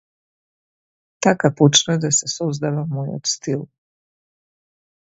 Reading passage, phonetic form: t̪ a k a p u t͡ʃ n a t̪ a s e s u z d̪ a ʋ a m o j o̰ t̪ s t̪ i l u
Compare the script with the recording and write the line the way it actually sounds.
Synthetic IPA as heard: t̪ a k a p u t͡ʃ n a d̪ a s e s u z d̪ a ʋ a m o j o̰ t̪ s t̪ i l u